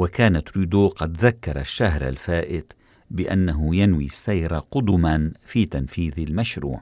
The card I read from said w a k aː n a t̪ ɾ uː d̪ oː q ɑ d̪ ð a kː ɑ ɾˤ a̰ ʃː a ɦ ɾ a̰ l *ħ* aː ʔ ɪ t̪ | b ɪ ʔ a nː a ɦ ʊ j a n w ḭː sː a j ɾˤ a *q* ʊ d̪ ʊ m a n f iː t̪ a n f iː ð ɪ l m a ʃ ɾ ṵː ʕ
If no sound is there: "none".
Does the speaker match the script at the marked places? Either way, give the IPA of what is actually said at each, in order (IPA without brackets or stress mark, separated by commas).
f, q